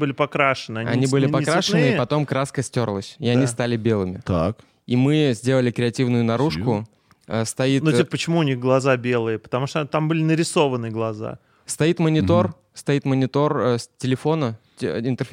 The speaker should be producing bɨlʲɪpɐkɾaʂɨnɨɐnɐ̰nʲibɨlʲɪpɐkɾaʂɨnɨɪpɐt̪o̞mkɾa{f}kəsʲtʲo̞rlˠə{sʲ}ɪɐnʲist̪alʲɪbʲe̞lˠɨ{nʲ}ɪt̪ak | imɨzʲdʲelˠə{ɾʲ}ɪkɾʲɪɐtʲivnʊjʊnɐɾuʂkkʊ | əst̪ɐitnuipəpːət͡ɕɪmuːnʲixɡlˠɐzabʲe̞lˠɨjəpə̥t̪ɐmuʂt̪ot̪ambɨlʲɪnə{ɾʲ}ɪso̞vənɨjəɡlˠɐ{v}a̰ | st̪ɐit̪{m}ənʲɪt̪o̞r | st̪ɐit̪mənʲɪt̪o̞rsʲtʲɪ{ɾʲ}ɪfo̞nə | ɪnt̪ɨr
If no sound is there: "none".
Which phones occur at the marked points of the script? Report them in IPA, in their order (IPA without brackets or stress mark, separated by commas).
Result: s, sʲ, mʲ, lʲ, ɾʲ, z, m, lʲ